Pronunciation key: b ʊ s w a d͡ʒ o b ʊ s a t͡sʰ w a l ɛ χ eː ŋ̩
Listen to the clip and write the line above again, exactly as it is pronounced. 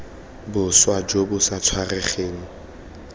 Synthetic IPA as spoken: b ʊ s w a d͡ʒ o b ʊ s a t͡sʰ w a r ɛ χ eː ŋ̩